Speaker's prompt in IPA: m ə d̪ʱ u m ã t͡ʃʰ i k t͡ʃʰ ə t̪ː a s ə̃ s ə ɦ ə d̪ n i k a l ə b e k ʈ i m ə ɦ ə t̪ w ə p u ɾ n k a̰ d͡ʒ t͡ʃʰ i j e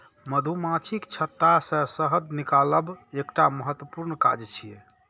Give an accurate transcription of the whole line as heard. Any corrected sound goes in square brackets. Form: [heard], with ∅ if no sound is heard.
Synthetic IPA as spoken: m ə d̪ʱ u m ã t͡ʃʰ i k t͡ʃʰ ə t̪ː a s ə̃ s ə ɦ ə d̪ n i k a l ə b e k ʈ [a] m ə ɦ ə t̪ w ə p u ɾ n k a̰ d͡ʒ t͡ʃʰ i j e

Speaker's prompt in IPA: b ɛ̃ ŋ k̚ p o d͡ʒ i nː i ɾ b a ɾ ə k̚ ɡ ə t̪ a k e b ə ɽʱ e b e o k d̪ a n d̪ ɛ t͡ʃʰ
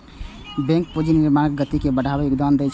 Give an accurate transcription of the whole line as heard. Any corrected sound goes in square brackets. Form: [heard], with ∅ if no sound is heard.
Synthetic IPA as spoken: b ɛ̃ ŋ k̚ p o d͡ʒ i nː i ɾ [m] a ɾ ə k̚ ɡ ə t̪ [i] k e b ə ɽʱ [a] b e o k d̪ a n d̪ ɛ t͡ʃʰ

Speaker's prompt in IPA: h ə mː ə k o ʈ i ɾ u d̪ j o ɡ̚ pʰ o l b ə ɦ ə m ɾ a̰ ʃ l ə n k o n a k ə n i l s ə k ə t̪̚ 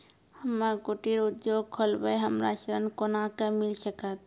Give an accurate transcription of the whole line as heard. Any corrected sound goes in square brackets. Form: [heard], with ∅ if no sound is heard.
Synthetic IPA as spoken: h ə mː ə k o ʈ i ɾ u d̪ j o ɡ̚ [kʰ] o l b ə ɦ ə m ɾ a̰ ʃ [ɾ] ə n k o n a k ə [m] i l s ə k ə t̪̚

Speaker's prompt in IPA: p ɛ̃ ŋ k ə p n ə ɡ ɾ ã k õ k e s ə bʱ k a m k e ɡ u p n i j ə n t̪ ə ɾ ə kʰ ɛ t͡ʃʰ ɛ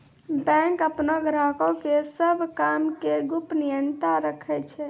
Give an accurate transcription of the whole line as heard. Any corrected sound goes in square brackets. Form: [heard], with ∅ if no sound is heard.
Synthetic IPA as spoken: [b] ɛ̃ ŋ k ə p n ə ɡ ɾ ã k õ k e s ə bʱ k a m k e ɡ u p n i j ə n t̪ [a] ɾ ə kʰ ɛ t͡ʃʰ ɛ

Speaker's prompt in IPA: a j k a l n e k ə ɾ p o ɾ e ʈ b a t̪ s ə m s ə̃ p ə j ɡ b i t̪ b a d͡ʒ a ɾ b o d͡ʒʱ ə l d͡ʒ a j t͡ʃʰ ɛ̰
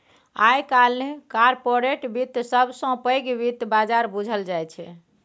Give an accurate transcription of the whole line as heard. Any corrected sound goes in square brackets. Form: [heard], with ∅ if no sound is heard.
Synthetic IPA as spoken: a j k a l n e k [a] ɾ p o ɾ e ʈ b [i] t̪ s ə [b] s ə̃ p ə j ɡ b i t̪ b a d͡ʒ a ɾ b [u] d͡ʒʱ ə l d͡ʒ a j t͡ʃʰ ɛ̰

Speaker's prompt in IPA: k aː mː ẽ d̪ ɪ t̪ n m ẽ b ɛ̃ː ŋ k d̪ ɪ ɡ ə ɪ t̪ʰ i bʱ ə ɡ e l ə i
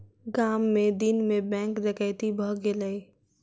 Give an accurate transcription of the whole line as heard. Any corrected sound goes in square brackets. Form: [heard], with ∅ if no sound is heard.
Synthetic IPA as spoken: [ɡ] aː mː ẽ d̪ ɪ [∅] n m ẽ b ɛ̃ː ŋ k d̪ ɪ [k] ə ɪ [t̪] i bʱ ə ɡ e l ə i

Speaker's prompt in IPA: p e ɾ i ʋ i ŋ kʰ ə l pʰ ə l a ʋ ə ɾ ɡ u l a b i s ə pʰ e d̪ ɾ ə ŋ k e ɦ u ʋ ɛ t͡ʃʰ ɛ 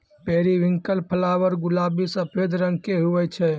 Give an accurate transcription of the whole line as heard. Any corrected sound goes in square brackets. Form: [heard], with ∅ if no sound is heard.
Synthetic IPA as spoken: p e ɾ i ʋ i ŋ [k] ə l pʰ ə l a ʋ ə ɾ ɡ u l a b i s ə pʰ e d̪ ɾ ə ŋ k e ɦ u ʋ ɛ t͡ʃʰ ɛ

